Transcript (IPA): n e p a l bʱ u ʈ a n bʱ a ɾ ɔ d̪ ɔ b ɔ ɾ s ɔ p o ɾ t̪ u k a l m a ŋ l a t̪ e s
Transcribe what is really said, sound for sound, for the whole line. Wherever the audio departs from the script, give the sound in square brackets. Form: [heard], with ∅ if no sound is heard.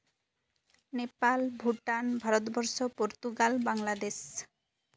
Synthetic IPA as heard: n e p a l bʱ u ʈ a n bʱ a ɾ ɔ [t̪] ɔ b ɔ ɾ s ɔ p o ɾ t̪ u [ɡ] a l [b] a ŋ l a [d̪] e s